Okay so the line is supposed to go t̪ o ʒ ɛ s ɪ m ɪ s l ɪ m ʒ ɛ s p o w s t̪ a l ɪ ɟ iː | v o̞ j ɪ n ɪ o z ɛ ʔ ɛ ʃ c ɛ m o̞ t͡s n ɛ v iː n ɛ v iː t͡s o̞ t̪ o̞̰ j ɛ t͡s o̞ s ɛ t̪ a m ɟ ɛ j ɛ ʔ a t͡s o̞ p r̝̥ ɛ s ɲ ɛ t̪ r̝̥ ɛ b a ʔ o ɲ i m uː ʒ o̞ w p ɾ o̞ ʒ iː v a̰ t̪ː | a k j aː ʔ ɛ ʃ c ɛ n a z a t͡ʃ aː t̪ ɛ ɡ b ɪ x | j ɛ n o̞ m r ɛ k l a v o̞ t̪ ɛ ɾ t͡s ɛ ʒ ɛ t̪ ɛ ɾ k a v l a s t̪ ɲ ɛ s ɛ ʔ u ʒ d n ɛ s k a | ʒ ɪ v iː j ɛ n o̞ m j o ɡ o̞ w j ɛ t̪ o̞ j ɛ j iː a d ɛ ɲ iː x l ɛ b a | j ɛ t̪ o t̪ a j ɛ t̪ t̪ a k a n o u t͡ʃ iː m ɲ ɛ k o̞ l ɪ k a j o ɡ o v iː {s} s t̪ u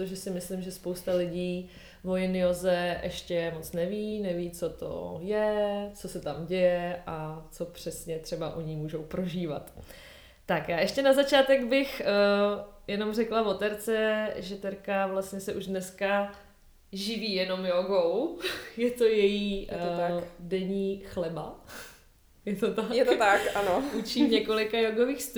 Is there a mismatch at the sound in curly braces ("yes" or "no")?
yes